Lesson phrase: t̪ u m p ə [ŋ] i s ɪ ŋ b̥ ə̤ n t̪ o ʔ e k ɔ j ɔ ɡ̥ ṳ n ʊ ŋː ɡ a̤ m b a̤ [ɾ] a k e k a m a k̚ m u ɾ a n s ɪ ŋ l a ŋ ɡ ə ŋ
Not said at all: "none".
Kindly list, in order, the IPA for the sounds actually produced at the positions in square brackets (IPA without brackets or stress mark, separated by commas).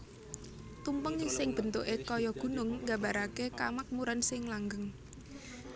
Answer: ŋ, ɾ